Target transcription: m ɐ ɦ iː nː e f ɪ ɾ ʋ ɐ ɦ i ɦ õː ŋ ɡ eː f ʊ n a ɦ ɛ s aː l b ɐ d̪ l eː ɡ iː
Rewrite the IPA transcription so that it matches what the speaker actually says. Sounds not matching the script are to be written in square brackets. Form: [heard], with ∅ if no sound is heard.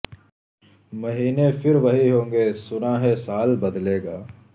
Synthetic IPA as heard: m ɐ ɦ iː [n] e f ɪ ɾ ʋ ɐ ɦ i ɦ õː ŋ ɡ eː [s] ʊ n a ɦ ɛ s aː l b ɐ d̪ l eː ɡ [aː]